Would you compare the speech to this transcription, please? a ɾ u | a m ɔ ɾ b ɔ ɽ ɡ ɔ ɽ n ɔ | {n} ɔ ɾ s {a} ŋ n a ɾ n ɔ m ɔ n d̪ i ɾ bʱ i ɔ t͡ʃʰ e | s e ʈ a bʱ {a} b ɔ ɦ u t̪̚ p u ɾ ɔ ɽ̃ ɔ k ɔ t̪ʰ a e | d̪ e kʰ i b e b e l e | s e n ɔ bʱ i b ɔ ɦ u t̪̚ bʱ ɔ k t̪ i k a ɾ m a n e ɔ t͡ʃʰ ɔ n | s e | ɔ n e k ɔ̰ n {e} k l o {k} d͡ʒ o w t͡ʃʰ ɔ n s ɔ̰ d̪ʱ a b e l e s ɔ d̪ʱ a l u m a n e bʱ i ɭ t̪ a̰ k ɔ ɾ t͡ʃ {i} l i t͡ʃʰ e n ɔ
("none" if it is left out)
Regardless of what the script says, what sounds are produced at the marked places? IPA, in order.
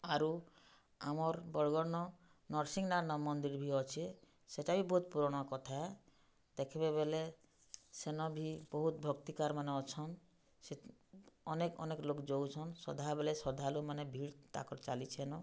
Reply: n, i, i, e, k, a

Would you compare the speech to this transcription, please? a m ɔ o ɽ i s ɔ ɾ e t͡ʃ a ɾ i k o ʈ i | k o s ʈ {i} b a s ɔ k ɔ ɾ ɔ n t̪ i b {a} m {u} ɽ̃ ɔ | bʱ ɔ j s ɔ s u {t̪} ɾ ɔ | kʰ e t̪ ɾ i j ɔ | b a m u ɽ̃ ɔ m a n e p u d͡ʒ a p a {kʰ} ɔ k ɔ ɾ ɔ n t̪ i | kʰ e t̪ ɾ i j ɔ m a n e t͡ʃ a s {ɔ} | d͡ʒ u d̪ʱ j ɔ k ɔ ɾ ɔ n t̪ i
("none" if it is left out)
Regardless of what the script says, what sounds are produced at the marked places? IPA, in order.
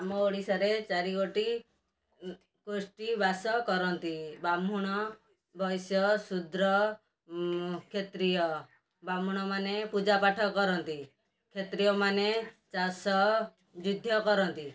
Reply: i, a, u, d̪, ʈʰ, ɔ

